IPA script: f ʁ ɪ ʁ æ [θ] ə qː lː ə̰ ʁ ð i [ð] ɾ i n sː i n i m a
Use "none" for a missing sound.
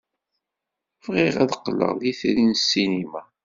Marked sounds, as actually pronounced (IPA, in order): ð, θ

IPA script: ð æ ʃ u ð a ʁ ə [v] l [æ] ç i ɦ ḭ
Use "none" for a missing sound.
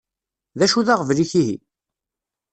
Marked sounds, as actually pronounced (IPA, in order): v, i

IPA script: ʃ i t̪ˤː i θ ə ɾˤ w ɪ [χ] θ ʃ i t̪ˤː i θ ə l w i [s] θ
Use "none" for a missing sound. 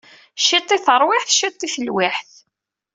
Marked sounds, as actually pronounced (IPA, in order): ħ, ħ

